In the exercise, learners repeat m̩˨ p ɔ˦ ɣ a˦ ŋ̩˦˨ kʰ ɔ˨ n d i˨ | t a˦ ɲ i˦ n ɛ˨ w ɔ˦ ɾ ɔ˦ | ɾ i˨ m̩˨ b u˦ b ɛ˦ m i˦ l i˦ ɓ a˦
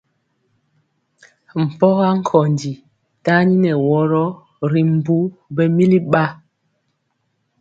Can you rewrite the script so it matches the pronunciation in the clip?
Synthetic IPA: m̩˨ p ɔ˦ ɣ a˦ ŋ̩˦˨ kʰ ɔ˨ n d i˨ | t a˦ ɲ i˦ n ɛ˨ w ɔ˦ ɾ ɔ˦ | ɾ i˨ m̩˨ b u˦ b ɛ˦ m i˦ l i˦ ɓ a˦